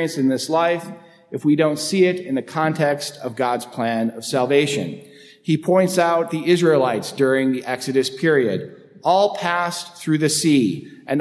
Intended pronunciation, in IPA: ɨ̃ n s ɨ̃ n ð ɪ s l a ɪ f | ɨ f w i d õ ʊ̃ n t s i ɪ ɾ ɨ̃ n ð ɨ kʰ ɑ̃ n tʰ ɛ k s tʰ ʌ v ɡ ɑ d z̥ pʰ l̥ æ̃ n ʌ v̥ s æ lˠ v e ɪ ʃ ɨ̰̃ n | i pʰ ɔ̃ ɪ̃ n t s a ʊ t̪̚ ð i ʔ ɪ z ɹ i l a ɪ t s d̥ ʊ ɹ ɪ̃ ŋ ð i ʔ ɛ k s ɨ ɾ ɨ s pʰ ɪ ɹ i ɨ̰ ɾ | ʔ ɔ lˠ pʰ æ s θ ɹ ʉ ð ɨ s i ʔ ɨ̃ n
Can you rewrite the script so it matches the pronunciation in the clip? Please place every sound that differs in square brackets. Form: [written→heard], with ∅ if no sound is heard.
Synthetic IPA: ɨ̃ n s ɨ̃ n ð ɪ s l a ɪ f | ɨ f w i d õ ʊ̃ n t s i ɪ ɾ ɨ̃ n ð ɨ kʰ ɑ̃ n tʰ ɛ k s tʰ ʌ v ɡ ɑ d z̥ pʰ l̥ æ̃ n ʌ v̥ s æ lˠ v e ɪ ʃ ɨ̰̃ n | i pʰ ɔ̃ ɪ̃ n t s a ʊ t̪̚ ð i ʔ ɪ z ɹ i l a ɪ t s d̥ ʊ ɹ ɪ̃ ŋ ð i ʔ ɛ k s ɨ ɾ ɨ s pʰ ɪ ɹ i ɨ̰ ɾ | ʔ ɔ lˠ pʰ æ s θ ɹ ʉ ð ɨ s i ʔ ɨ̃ n